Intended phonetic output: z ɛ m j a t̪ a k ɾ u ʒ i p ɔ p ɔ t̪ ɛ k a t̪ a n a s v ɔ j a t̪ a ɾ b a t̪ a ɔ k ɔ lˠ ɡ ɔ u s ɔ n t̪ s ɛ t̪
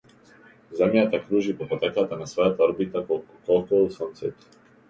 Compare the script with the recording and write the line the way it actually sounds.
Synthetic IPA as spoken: z ɛ m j a t̪ a k ɾ u ʒ i p ɔ p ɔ t̪ ɛ k a t̪ a n a s v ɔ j a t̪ a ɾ b i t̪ a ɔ k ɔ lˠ k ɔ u s ɔ n t̪ s ɛ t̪